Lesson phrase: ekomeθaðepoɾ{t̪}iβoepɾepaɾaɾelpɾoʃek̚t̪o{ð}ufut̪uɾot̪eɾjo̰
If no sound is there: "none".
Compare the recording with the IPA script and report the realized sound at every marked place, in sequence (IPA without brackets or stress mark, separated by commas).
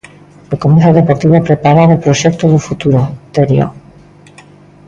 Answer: t̪, ð